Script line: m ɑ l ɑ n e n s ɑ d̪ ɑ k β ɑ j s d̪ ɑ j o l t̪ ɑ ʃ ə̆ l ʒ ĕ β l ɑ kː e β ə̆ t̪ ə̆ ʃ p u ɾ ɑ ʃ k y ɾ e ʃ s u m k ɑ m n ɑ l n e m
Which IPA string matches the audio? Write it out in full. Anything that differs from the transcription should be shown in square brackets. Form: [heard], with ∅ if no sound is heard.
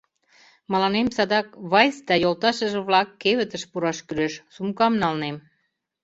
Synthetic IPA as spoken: m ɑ l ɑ n e [m] s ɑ d̪ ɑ k β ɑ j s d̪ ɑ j o l t̪ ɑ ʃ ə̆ [∅] ʒ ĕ β l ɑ kː e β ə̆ t̪ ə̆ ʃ p u ɾ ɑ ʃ k y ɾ e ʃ s u m k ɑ m n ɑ l n e m